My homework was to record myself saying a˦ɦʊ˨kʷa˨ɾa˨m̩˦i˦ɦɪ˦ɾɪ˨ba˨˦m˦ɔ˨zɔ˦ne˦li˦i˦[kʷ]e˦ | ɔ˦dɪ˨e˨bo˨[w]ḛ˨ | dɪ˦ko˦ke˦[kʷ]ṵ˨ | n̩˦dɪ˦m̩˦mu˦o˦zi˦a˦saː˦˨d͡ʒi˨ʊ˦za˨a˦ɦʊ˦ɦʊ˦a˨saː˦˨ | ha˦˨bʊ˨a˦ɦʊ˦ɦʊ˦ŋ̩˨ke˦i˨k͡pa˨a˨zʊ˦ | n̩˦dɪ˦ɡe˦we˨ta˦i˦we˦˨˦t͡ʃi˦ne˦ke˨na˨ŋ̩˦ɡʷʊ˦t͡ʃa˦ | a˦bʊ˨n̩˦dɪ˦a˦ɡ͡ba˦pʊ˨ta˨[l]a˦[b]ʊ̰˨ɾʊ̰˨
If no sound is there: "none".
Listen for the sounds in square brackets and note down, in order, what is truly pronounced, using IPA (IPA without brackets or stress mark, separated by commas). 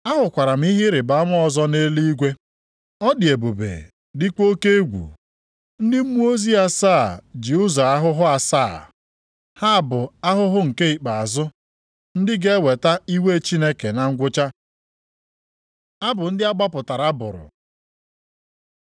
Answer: ɡʷ, b, ɡʷ, ɾ, b